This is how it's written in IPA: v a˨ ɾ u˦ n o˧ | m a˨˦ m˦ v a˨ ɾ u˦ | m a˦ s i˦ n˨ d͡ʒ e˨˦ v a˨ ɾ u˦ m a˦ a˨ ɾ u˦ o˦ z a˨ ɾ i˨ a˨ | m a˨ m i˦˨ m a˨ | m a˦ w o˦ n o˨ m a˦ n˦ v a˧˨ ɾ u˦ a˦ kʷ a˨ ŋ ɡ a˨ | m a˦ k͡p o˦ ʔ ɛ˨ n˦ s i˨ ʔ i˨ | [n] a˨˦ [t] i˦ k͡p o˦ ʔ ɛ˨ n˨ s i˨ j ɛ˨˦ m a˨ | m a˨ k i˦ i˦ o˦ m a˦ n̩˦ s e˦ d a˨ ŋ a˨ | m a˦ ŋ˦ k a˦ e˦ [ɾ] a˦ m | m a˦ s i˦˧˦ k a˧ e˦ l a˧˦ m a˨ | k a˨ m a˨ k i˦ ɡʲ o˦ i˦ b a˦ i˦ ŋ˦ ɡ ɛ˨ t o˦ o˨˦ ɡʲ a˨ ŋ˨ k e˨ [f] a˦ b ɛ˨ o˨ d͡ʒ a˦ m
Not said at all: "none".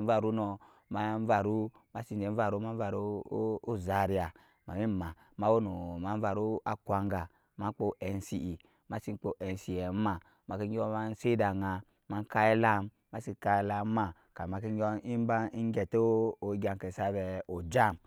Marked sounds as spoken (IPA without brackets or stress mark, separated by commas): m, s, l, s